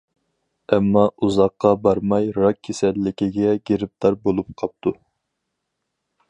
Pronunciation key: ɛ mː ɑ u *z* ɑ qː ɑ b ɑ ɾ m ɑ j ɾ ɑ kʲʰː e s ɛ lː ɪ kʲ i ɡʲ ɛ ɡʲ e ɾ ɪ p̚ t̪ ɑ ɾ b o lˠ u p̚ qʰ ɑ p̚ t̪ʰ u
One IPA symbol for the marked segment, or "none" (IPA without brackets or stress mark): z